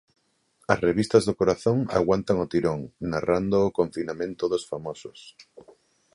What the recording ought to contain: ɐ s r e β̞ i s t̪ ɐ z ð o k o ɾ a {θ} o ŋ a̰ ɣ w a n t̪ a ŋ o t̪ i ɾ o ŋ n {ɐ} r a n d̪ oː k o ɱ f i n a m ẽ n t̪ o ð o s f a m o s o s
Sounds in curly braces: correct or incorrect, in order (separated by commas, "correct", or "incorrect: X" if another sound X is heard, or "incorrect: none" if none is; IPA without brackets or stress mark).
correct, incorrect: a